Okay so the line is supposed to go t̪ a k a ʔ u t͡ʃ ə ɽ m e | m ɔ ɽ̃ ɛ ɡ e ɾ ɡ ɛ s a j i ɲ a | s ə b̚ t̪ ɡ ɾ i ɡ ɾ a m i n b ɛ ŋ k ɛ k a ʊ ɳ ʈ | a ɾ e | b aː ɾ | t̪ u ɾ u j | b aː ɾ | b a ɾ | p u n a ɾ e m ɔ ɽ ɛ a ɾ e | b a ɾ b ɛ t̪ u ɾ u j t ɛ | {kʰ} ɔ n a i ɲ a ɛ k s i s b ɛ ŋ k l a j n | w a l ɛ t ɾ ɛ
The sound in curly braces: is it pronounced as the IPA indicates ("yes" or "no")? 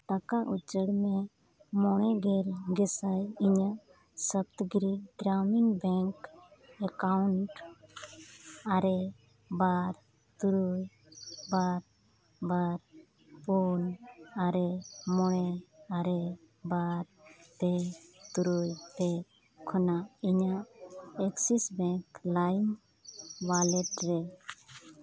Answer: yes